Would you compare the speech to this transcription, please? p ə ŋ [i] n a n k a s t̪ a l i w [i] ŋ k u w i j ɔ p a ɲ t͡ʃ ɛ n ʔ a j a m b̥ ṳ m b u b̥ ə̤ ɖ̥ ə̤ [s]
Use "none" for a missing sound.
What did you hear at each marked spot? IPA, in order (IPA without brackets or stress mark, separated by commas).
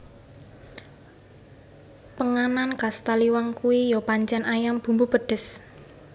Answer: a, a, s